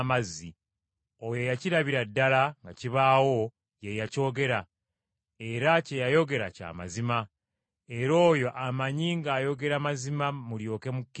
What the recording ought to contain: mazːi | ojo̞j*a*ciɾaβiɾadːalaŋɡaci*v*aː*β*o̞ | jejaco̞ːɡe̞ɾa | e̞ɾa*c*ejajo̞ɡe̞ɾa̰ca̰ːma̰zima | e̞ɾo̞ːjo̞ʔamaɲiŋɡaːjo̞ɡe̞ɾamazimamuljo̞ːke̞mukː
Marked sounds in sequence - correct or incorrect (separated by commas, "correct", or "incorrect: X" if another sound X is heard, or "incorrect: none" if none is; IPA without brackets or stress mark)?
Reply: correct, incorrect: β, incorrect: w, correct